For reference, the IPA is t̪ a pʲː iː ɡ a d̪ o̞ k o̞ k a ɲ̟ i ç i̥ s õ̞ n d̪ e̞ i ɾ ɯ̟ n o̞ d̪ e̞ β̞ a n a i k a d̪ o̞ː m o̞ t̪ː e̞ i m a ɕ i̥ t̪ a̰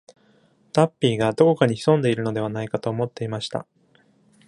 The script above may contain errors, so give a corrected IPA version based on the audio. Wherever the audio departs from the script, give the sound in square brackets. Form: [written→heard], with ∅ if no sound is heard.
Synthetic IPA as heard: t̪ a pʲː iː ɡ a d̪ o̞ k o̞ k a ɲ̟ i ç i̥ s õ̞ n d̪ e̞ i ɾ ɯ̟ n o̞ d̪ e̞ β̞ a n a i k a [d̪→t̪] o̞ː m o̞ t̪ː e̞ i m a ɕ i̥ t̪ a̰